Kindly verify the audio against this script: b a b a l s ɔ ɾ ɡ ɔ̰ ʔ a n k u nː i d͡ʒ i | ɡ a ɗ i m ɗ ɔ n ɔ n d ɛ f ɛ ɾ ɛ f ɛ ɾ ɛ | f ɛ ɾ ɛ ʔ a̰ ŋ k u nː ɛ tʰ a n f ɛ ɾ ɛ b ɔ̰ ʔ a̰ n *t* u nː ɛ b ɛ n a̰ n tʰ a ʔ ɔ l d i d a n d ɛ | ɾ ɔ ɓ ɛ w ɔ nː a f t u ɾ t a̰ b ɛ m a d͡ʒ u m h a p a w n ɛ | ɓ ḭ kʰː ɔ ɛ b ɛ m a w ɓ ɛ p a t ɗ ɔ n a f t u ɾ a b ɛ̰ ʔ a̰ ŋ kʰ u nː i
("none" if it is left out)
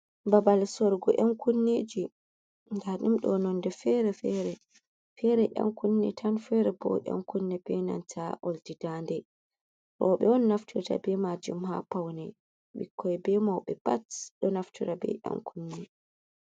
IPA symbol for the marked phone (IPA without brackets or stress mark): k